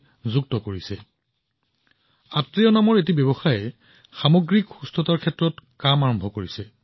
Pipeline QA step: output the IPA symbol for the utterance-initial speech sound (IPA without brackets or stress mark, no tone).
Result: z